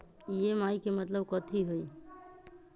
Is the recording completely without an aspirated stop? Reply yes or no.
no